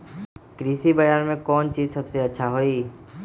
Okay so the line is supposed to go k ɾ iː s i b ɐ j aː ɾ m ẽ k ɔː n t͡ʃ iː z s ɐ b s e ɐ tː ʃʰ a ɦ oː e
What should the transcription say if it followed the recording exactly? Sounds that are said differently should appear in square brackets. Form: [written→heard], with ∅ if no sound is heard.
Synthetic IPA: k ɾ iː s i b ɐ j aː ɾ m ẽ k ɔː n t͡ʃ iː z s ɐ b s e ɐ tː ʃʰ a ɦ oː [e→i]